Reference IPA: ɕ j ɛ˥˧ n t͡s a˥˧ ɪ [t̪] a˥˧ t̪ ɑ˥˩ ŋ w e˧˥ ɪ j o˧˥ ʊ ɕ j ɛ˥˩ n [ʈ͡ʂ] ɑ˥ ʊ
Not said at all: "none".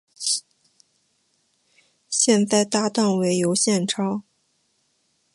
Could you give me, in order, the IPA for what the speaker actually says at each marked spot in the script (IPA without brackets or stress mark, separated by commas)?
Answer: t̪, ʈ͡ʂʰ